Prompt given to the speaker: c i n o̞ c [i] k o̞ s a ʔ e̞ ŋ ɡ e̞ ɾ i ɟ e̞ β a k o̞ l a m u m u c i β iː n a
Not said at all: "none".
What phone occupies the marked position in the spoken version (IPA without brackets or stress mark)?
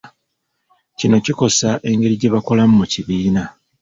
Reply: i